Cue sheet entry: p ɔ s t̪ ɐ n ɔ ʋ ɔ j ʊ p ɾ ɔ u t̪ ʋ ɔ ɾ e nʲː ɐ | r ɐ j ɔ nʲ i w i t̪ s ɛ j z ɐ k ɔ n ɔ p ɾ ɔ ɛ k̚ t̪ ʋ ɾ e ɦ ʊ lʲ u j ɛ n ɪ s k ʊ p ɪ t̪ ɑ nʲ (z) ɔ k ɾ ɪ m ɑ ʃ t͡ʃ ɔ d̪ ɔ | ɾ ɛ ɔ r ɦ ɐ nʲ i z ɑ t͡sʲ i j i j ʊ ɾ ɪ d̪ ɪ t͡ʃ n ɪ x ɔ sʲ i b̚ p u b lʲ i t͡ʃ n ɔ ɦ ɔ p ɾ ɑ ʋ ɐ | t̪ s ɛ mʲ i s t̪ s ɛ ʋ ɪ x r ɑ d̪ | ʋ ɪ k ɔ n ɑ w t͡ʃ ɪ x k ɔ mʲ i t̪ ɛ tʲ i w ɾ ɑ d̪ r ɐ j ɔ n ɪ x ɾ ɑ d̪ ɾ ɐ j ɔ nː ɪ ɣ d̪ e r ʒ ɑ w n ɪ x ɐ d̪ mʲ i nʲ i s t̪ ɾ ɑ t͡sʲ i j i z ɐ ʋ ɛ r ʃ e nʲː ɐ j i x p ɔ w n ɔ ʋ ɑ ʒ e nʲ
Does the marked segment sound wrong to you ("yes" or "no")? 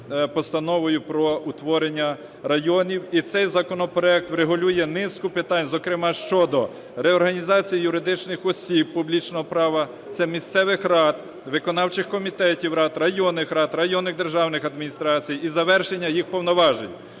no